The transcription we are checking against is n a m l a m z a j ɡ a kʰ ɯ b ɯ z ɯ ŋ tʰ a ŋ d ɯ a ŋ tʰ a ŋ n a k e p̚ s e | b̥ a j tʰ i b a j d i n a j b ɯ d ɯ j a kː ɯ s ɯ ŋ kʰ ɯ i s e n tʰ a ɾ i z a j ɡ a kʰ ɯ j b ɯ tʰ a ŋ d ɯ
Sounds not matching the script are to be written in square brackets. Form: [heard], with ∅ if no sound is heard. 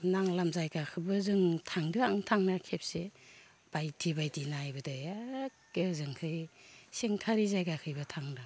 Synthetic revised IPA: n a [ŋ] l a m z a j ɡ a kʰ ɯ b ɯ z ɯ ŋ tʰ a ŋ d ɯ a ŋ tʰ a ŋ n a [kʰ] e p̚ s e | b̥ a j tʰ i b a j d i n a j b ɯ d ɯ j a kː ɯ [z] ɯ ŋ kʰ ɯ [j] s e [ŋ] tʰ a ɾ i z a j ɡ a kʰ ɯ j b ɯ tʰ a ŋ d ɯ